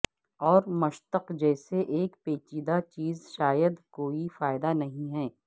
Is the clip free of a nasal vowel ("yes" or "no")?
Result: no